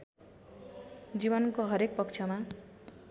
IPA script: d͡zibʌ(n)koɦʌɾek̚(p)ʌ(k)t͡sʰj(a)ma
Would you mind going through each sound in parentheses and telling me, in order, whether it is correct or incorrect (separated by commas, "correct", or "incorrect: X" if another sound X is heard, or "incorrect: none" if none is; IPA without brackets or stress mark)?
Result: correct, correct, correct, incorrect: ʌ